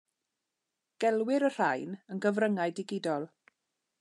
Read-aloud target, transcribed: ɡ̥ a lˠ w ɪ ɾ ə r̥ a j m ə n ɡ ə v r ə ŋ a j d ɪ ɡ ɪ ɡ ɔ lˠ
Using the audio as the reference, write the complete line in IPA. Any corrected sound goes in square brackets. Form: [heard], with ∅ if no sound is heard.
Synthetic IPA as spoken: ɡ̥ [ɛ] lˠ w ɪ ɾ ə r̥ a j [n] ə n ɡ ə v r ə ŋ a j d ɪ ɡ ɪ [d] ɔ lˠ